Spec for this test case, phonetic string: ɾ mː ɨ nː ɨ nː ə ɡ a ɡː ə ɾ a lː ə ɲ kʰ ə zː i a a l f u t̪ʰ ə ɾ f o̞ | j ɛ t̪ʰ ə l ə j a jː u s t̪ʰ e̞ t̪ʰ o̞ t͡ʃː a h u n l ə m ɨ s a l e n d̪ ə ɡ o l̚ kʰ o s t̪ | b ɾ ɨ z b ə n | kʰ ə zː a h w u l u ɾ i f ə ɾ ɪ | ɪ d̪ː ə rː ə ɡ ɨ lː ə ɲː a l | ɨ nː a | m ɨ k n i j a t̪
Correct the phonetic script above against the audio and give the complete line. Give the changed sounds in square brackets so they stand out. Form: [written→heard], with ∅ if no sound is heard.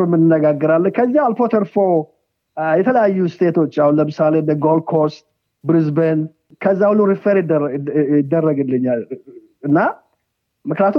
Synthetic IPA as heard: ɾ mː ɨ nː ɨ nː ə ɡ a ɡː ə ɾ a lː ə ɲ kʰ ə zː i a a l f [u→o] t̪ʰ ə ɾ f o̞ | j ɛ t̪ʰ ə l ə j a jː u s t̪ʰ e̞ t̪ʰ o̞ t͡ʃː a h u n l ə m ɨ s a l e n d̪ ə ɡ o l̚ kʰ o s t̪ | b ɾ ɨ z b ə n | kʰ ə zː a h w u l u ɾ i f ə ɾ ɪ | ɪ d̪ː ə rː ə ɡ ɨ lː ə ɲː a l | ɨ nː a | m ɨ k n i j a t̪